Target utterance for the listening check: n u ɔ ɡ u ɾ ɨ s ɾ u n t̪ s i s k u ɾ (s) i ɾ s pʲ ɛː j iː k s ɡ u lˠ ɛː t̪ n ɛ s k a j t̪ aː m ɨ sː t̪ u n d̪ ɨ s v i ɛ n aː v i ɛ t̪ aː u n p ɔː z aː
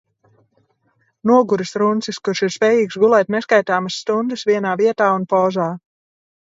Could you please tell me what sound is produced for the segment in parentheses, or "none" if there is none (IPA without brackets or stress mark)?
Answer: ʃ